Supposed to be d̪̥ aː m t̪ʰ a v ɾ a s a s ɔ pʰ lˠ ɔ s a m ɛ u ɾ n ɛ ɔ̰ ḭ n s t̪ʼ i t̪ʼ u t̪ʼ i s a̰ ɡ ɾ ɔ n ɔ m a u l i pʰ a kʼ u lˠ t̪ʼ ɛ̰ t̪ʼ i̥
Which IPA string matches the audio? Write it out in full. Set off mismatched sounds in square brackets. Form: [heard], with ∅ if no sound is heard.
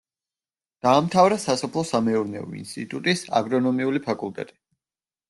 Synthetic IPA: d̪̥ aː m t̪ʰ a v ɾ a s a s ɔ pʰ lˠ ɔ s a m ɛ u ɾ n ɛ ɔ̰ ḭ n s t̪ʼ i t̪ʼ u t̪ʼ i s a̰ ɡ ɾ ɔ n ɔ m [i] u l i pʰ a kʼ u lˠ t̪ʼ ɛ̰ t̪ʼ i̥